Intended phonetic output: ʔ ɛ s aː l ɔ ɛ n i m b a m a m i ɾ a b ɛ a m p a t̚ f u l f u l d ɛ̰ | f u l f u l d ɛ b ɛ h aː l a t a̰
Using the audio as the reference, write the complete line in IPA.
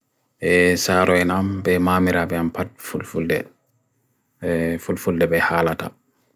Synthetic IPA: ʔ ɛ s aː ɾ ɔ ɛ n a m b ɛ m a m i ɾ a b ɛ a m p a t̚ f u l f u l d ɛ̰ | f u l f u l d ɛ b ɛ h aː l a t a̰